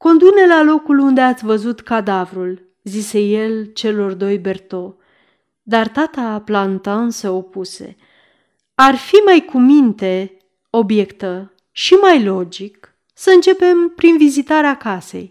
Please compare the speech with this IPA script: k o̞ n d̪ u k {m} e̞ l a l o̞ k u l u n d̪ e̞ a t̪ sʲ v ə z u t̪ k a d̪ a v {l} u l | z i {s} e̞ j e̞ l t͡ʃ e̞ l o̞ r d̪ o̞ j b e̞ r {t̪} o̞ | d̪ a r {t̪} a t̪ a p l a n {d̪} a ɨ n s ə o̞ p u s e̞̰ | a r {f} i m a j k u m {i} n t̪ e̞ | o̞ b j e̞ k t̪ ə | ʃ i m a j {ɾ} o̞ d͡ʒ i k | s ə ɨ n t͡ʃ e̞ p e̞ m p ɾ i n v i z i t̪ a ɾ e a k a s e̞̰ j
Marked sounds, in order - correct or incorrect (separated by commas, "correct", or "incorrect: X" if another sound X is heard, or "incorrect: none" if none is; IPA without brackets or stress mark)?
incorrect: n, incorrect: ɾ, correct, correct, correct, incorrect: t̪, correct, correct, incorrect: l